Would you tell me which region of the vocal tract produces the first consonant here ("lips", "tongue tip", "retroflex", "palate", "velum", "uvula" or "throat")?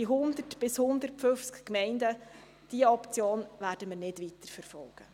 throat